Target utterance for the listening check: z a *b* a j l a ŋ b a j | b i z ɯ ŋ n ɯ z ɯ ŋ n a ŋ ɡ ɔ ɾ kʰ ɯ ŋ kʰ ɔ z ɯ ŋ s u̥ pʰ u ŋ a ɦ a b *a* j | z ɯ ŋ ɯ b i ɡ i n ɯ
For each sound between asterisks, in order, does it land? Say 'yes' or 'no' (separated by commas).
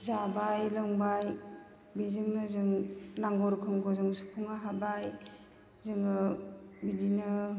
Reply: yes, yes